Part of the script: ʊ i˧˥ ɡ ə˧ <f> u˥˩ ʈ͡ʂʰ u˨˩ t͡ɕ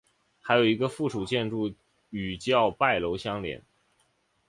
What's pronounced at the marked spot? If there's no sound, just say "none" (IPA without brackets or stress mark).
f